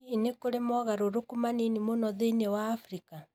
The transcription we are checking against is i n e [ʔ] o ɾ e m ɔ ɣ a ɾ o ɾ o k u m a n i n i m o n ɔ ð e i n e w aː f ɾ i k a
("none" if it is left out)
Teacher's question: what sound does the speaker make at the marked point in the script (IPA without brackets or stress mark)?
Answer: k